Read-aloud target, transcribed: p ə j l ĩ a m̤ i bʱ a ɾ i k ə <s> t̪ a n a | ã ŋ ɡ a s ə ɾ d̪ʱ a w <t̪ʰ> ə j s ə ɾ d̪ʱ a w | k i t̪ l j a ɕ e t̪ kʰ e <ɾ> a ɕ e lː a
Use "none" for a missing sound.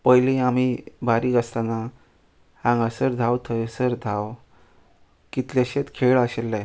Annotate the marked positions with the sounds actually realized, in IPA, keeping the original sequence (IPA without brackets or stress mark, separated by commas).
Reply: s, t̪ʰ, ɭ